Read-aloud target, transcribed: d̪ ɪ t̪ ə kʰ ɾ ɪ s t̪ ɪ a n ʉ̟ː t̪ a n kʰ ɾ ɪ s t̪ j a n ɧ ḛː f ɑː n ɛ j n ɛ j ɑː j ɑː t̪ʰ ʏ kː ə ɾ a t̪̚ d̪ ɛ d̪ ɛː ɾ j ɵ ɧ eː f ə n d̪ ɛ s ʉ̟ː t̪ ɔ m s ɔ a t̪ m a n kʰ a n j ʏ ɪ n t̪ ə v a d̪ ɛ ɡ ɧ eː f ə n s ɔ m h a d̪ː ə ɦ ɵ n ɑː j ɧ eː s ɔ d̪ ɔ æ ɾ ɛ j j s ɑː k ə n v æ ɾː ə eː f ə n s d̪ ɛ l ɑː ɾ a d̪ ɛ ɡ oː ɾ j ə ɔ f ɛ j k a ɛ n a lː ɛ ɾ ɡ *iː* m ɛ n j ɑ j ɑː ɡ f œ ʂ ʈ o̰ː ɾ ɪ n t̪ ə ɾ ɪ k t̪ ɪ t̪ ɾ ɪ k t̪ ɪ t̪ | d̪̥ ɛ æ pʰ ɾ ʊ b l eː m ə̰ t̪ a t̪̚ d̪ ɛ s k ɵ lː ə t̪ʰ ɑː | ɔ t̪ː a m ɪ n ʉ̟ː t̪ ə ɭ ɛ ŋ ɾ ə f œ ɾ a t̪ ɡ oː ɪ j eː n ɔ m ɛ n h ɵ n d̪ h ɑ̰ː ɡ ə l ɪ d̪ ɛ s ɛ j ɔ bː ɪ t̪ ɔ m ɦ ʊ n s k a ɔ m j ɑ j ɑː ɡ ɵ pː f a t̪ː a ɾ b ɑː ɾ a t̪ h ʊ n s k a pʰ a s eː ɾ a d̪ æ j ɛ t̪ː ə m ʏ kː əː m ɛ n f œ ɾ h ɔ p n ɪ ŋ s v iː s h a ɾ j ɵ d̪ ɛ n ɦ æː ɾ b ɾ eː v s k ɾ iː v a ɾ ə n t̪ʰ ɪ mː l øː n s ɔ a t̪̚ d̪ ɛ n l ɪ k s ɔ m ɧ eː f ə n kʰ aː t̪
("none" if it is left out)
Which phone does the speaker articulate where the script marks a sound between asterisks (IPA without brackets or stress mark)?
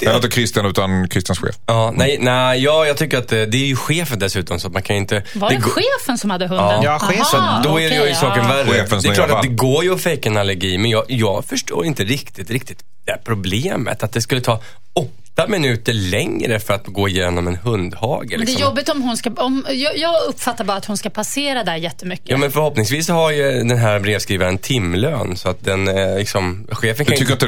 iː